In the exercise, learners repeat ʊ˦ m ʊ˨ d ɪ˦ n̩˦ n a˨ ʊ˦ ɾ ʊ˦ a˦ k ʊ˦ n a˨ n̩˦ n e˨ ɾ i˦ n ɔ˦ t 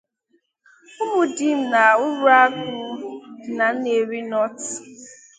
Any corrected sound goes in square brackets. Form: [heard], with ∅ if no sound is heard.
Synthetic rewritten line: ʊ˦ m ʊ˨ d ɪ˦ [m̩˦] n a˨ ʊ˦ ɾ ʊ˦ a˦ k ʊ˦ n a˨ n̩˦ n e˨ ɾ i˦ n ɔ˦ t

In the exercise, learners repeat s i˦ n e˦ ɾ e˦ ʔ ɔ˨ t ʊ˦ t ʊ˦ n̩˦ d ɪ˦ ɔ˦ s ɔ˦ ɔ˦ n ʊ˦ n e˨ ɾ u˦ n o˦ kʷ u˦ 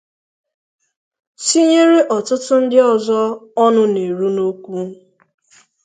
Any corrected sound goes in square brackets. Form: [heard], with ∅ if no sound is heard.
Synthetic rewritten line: s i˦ [ɲ] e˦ ɾ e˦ ʔ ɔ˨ t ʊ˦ t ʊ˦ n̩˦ d ɪ˦ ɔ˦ [z] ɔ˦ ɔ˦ n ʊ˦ n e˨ ɾ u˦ n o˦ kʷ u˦

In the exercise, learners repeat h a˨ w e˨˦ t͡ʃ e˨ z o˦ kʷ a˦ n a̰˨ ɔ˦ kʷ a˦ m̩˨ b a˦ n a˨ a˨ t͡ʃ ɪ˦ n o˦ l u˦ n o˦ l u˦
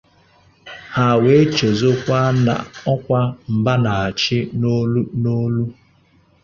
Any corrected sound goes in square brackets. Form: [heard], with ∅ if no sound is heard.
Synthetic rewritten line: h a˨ w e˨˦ t͡ʃ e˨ z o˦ kʷ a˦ n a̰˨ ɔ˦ kʷ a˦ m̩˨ b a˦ n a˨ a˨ t͡ʃ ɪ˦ n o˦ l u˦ n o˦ l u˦

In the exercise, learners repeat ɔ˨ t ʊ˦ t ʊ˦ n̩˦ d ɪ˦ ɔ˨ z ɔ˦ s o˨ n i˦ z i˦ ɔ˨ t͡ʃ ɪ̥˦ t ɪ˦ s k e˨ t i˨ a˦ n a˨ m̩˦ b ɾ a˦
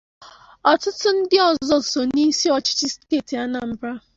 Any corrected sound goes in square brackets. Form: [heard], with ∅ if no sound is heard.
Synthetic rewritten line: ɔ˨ t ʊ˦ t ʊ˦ n̩˦ d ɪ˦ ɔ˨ z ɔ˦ s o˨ n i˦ [s] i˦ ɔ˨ t͡ʃ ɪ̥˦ [t͡ʃ] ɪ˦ s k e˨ t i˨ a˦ n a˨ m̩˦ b ɾ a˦

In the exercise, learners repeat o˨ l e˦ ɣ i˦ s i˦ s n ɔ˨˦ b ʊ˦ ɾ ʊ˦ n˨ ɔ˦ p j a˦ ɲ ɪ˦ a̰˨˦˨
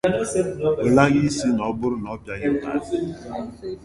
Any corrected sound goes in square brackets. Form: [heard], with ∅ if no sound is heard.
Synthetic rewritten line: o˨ l [a˦] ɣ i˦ s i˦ [∅] n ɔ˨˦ b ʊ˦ ɾ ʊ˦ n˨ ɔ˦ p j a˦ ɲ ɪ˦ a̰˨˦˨

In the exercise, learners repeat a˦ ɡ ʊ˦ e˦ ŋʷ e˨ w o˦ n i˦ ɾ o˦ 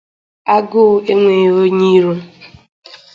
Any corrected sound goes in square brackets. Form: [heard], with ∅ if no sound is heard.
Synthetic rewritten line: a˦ ɡ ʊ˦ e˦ ŋʷ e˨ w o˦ [ɲ] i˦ ɾ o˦

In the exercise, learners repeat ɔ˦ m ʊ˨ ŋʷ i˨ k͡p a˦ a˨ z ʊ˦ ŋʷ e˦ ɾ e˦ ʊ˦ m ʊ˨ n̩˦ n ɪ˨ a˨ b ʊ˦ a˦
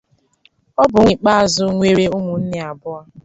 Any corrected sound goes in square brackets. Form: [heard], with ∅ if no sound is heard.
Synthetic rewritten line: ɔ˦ [b] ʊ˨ ŋʷ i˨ k͡p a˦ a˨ z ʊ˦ ŋʷ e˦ ɾ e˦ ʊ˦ m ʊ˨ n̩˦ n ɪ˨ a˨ b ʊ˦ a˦

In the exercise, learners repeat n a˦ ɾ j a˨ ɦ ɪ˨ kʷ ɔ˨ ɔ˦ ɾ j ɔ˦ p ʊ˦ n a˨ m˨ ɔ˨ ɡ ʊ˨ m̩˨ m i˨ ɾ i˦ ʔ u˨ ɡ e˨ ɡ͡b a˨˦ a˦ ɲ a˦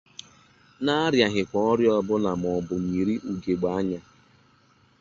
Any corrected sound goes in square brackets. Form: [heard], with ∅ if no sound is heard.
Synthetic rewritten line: n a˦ ɾ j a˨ ɦ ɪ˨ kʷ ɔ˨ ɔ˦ ɾ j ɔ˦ [b] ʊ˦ n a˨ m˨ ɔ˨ [b] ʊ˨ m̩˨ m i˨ ɾ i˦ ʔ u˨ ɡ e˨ ɡ͡b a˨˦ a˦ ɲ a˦

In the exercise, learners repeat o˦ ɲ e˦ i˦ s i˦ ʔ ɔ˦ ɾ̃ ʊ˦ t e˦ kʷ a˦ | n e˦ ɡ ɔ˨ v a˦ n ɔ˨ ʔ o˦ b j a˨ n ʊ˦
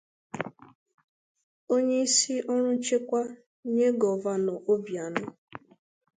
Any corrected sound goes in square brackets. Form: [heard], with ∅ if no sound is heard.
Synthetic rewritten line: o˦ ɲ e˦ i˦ s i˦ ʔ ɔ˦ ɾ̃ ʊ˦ [t͡ʃ] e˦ kʷ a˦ | [ɲ] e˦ ɡ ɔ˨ v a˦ n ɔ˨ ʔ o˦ b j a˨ n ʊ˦

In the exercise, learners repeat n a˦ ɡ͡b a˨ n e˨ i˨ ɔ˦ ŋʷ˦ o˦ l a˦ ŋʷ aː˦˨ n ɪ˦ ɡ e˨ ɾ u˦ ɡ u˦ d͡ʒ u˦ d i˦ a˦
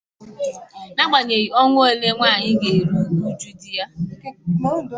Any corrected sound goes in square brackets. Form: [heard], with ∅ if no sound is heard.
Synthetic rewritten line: n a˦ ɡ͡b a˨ [ɲ] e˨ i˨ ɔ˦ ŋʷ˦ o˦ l [e˦] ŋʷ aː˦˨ [ɲ] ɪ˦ ɡ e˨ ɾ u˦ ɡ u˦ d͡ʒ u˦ d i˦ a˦

